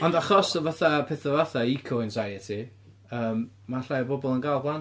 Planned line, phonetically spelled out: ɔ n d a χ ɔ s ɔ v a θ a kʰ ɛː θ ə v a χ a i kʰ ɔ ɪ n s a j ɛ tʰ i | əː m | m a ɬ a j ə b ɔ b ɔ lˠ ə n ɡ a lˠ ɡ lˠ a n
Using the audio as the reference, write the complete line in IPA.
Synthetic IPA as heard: ɔ n d a χ ɔ s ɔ v a θ a pʰ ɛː θ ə v a θ a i kʰ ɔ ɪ n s a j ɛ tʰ i | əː m | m a ɬ a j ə b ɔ b ɔ lˠ ə n ɡ a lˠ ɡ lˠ a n